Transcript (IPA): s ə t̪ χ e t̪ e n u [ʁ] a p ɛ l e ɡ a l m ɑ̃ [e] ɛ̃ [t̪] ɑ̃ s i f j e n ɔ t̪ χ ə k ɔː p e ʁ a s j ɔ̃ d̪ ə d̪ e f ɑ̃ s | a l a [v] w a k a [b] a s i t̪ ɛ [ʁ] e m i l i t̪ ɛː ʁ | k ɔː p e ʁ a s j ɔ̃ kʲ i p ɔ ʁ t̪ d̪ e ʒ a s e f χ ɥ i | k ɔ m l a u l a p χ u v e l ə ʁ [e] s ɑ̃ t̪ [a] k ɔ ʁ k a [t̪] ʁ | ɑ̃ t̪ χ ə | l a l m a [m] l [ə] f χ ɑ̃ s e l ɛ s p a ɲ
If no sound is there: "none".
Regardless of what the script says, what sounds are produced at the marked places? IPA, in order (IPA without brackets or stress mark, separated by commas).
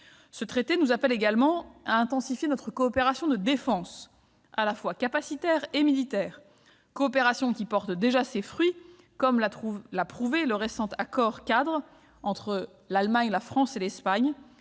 z, a, t̪, f, p, ʁ, e, a, d̪, ɲ, a